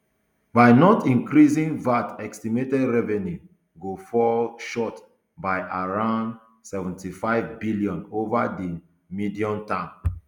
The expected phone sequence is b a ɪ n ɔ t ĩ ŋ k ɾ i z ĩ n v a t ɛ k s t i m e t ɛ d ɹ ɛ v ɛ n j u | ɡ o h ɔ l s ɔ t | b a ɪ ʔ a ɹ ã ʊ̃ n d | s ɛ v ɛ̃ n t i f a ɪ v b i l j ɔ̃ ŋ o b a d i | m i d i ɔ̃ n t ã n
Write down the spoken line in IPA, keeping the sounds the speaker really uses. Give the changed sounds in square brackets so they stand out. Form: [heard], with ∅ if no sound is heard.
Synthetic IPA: b a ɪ n ɔ t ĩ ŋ k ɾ i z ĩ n v a t ɛ k s t i m e t ɛ d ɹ ɛ v ɛ n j u | ɡ o [f] ɔ l [ʃ] ɔ t | b a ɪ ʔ a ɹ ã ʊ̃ n d | s ɛ v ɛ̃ n t i f a ɪ v b i l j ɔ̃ [n] o [v] a d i | m i d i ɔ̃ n t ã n